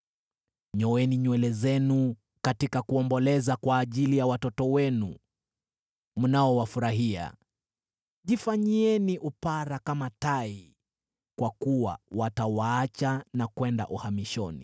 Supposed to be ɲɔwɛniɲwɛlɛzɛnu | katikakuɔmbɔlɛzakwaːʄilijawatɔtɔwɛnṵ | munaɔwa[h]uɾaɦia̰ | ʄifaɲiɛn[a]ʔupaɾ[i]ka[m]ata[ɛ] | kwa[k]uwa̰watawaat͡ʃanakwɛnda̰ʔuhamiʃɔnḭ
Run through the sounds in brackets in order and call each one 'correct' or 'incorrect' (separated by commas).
incorrect, incorrect, incorrect, correct, incorrect, correct